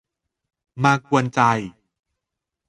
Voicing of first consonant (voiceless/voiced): voiced